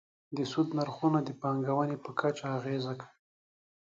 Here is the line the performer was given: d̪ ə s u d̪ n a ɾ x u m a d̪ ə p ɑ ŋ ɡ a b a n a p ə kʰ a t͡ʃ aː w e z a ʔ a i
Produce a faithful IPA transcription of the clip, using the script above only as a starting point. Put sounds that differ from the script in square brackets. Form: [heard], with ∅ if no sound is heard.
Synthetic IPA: d̪ ə s u d̪ n a ɾ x u [n] a d̪ ə p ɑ ŋ ɡ a [w] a n [e] p ə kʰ a t͡ʃ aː [ɣ] e z a [k] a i